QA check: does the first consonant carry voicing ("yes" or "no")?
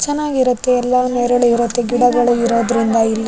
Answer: no